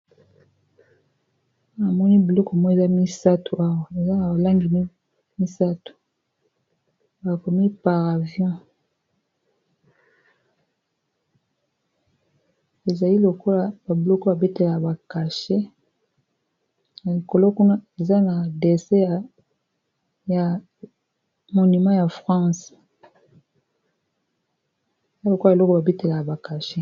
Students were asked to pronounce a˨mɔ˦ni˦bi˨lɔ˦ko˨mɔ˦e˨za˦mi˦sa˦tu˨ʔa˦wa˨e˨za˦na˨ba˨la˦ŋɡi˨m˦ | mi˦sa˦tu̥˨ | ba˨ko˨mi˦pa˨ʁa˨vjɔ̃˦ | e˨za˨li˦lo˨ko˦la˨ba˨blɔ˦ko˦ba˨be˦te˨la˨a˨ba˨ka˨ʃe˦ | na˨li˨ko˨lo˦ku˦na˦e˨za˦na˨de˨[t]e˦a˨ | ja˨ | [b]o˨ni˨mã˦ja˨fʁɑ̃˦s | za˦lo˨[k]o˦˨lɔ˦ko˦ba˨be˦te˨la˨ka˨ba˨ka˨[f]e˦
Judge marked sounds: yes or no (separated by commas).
no, no, yes, no